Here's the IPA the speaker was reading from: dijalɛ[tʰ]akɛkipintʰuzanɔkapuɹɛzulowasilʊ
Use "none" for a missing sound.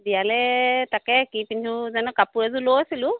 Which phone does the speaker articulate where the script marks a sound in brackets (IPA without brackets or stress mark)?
t